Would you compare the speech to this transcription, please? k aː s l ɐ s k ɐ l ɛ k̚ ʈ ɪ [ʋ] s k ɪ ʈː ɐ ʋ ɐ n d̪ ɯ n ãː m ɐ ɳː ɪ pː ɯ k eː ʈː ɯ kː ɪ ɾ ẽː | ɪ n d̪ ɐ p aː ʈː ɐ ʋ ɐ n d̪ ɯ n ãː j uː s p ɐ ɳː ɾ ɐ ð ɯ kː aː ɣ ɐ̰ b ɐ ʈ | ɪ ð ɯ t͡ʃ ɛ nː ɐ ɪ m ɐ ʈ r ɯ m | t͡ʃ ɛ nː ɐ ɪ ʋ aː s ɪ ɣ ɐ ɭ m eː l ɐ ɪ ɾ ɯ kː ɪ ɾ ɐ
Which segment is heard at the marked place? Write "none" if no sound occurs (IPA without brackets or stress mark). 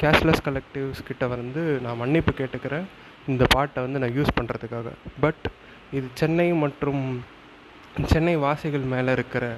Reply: ʋ